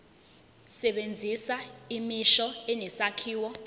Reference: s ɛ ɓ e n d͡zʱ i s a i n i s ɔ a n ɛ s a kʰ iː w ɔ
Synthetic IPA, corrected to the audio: s ɛ ɓ e n d͡zʱ i s a i m i ʃ ɔ ɛ n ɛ s a kʰ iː w ɔ